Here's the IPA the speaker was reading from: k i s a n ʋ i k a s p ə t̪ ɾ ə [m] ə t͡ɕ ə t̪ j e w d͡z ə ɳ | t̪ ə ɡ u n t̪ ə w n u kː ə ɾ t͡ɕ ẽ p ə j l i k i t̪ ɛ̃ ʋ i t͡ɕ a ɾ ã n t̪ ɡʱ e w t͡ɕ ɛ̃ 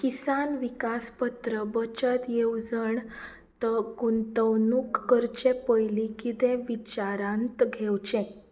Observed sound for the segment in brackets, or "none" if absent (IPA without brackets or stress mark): b